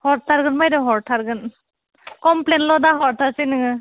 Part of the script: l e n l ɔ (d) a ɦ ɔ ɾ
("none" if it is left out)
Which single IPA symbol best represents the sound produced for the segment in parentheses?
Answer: d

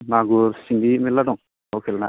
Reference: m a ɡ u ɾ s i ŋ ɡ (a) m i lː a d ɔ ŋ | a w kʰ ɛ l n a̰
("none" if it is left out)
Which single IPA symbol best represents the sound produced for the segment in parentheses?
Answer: i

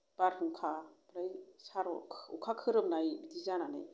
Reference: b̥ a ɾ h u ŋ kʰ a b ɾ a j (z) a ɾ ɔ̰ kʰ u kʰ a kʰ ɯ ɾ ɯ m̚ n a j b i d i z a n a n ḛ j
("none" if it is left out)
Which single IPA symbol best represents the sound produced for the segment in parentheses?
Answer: s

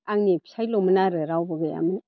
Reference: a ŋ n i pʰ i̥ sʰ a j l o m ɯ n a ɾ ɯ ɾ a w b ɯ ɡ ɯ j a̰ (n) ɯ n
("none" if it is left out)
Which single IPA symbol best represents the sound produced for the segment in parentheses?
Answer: m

